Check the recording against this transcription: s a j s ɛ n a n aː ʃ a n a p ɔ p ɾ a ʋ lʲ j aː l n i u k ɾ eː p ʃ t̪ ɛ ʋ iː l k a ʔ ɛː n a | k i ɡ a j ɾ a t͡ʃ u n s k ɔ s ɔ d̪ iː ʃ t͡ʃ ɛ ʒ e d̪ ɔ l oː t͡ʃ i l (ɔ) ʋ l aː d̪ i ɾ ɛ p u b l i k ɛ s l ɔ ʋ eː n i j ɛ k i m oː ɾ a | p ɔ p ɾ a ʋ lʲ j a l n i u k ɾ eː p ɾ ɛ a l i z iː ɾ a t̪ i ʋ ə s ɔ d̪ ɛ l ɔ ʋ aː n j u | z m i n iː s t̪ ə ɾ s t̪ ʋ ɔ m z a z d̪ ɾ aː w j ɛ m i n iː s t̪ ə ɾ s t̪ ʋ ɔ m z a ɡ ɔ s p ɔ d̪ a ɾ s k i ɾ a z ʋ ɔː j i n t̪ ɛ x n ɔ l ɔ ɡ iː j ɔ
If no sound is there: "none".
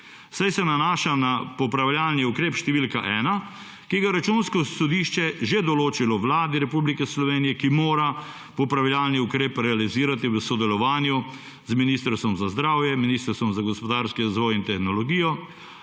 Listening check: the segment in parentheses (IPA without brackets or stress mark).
ɔ